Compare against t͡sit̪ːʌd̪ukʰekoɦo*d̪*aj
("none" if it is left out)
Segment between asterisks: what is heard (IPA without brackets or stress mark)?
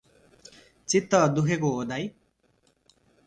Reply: d̪